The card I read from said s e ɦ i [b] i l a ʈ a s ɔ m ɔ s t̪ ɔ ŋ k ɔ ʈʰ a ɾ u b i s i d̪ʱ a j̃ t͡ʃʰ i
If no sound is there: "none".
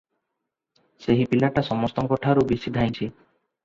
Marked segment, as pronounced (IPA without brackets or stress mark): p